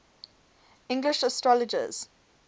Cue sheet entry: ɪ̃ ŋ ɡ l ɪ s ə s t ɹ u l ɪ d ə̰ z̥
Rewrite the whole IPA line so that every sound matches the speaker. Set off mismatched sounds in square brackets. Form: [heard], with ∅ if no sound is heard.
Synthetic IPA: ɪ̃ ŋ ɡ l ɪ [ʃ] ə s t ɹ [ɔ] l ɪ [d͡ʒ] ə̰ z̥